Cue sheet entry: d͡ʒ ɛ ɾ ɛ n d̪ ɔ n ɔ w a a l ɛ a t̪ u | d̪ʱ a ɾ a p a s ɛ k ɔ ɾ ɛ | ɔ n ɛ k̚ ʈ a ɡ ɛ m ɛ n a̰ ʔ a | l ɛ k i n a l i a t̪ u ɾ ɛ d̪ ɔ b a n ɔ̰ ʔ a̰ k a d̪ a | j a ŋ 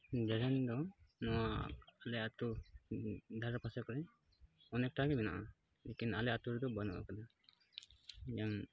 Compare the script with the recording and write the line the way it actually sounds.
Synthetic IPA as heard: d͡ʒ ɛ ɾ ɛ n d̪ ɔ n ɔ w a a l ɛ a t̪ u | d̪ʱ a ɾ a p a s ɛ k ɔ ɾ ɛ | ɔ n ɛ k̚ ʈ a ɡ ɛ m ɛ n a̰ ʔ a | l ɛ k i n a l ɛ a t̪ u ɾ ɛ d̪ ɔ b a n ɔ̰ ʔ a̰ k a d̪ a | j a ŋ